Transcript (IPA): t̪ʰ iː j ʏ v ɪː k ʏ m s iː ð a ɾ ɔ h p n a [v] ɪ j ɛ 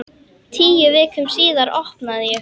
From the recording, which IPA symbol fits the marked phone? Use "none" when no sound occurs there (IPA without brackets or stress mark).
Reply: ð